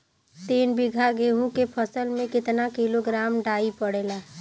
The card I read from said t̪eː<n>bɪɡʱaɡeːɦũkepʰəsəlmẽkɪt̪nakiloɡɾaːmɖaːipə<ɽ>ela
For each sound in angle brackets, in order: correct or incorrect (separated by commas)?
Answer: correct, correct